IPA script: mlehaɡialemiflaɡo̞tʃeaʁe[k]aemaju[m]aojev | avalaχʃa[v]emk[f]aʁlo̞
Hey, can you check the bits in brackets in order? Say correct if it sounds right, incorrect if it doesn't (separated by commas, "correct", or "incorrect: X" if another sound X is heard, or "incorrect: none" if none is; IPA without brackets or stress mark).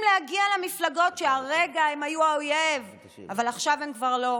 incorrect: ɡ, incorrect: none, correct, incorrect: v